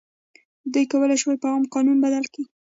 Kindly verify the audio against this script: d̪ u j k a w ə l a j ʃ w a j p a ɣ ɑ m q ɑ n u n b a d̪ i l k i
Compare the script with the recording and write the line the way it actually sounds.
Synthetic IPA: d̪ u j k a w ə l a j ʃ w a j p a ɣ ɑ m q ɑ n u n b a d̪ a l k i